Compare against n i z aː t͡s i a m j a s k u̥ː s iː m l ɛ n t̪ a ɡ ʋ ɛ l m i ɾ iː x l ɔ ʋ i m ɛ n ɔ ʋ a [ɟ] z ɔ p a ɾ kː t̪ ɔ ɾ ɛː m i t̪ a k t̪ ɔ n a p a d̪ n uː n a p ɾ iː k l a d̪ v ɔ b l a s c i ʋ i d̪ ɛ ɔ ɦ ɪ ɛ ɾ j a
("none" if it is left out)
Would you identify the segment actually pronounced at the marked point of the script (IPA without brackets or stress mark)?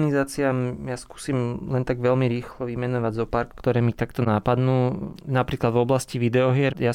ɟ